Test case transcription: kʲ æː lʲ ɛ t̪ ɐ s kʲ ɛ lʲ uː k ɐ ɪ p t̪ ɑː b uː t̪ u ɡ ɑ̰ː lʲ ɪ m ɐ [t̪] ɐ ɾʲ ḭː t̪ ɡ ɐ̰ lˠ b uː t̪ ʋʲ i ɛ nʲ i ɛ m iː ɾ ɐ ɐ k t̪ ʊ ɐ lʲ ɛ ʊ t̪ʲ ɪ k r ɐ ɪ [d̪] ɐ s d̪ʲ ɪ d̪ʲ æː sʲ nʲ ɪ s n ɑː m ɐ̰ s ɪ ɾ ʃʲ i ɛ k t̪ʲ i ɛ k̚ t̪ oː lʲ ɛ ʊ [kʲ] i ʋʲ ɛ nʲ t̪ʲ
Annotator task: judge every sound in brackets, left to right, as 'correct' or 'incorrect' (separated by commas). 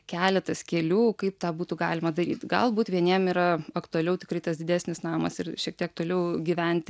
incorrect, incorrect, incorrect